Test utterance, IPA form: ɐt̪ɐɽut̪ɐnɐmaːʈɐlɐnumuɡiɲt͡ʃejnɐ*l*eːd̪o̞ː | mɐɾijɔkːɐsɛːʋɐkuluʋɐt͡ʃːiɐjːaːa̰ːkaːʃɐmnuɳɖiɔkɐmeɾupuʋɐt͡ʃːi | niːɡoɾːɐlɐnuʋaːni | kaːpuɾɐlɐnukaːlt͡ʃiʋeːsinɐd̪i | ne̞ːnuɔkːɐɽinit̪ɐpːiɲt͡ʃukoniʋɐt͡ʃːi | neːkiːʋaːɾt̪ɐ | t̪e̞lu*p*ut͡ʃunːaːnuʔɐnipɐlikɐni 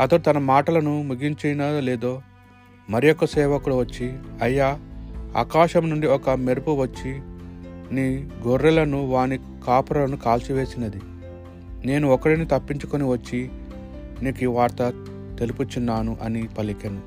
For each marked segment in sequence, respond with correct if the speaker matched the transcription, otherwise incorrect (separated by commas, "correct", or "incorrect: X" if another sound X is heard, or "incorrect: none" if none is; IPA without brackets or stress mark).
correct, correct